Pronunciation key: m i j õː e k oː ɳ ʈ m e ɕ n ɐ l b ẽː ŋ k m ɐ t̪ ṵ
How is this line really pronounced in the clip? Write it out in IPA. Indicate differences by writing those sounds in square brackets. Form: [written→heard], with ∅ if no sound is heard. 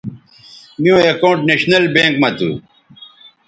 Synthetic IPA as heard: m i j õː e k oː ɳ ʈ [m→n] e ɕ n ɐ l b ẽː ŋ k m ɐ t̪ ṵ

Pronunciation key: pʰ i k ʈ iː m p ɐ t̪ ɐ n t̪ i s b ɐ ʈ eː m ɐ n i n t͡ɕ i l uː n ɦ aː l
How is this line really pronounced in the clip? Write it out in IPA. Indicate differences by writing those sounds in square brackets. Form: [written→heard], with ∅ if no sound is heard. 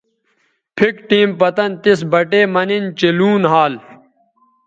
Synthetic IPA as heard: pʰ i k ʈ iː m p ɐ t̪ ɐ n t̪ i s b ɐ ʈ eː m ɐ n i n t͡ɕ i l uː n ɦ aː l

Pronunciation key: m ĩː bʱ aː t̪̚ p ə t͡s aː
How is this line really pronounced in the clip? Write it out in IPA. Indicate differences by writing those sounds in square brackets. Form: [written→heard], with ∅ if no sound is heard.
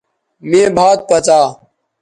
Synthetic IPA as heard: m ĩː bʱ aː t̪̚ p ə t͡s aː

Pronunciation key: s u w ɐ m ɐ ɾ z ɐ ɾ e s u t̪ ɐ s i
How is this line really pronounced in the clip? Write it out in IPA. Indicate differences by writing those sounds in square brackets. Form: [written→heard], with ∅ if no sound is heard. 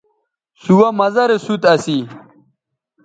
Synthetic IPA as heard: s u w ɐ m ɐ [ɾ→∅] z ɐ ɾ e s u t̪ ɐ s i

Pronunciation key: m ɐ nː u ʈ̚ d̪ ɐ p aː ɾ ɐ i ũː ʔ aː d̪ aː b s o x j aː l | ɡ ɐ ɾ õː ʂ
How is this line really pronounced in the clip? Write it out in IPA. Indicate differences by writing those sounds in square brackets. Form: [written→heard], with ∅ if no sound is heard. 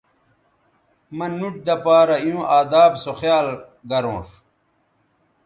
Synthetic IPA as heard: m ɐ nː u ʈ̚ d̪ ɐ p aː ɾ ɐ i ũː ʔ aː d̪ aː b s o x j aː l | ɡ ɐ ɾ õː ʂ

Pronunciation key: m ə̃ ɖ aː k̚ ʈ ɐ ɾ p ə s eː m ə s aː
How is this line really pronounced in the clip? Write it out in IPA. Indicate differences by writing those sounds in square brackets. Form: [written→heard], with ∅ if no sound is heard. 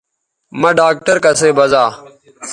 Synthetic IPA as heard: m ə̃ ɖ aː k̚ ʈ [ɐ→ə] ɾ [p→k] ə s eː [m→b] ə [s→z] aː

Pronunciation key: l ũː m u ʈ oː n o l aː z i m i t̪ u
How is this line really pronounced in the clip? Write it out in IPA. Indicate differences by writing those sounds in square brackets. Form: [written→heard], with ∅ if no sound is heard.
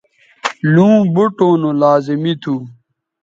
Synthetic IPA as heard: l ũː [m→b] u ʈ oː n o l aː z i m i [t̪→t̪ʰ] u

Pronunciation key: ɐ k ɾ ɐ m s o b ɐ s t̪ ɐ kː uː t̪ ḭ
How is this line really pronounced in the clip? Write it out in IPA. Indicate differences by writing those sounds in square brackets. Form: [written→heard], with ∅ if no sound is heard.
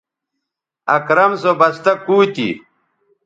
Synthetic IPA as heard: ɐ k ɾ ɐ m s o b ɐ s t̪ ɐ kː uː t̪ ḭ

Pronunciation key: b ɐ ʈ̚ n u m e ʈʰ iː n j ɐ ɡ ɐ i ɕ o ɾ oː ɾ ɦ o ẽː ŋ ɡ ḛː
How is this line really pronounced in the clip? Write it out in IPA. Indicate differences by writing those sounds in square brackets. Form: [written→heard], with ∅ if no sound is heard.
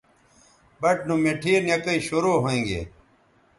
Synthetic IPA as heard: b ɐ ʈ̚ n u m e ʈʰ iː n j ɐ [ɡ→k] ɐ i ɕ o ɾ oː [ɾ→∅] ɦ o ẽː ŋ ɡ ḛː

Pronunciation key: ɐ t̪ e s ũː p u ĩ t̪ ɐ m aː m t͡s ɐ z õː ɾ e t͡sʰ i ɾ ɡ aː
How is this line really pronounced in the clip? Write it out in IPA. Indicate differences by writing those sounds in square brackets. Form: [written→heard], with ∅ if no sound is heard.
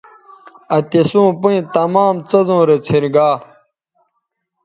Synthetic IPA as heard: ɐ t̪ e s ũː p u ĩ t̪ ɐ m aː m t͡s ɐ z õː ɾ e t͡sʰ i ɾ ɡ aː

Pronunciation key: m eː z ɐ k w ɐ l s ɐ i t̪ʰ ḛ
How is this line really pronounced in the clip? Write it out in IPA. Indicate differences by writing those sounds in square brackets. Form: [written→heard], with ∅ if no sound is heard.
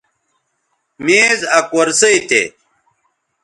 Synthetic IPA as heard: m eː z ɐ k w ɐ [l→ɾ] s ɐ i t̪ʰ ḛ

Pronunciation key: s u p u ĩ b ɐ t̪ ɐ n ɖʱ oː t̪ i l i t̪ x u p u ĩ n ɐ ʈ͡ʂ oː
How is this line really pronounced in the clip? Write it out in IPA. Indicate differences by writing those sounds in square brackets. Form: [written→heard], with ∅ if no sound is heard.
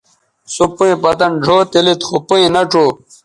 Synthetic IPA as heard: s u p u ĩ [b→p] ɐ t̪ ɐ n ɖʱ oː t̪ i l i t̪ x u p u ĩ n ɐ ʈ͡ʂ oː

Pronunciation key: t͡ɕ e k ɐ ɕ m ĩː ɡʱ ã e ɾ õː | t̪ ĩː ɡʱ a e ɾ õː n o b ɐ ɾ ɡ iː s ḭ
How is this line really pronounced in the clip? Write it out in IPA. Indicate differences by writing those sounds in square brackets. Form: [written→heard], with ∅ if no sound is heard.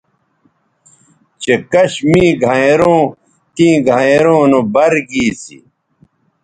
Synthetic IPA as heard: t͡ɕ e k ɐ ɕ m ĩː ɡʱ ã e ɾ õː | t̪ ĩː ɡʱ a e ɾ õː n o b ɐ ɾ ɡ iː s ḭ

